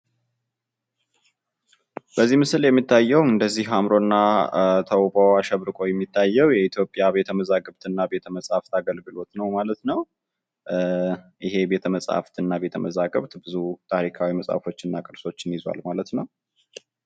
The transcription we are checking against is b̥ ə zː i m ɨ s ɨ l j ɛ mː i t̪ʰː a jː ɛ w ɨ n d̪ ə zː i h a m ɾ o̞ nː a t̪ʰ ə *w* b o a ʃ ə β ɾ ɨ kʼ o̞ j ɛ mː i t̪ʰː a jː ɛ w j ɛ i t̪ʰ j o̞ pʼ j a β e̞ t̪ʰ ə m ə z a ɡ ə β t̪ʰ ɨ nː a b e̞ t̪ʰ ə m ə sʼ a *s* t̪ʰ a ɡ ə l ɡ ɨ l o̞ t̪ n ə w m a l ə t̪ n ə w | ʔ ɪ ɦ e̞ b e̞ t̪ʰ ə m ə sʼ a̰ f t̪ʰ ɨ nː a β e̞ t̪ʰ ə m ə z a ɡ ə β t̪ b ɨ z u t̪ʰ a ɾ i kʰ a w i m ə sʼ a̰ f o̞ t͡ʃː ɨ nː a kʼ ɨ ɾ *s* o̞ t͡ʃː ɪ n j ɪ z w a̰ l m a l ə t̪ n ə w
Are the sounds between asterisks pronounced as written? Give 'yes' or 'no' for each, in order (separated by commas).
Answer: yes, no, yes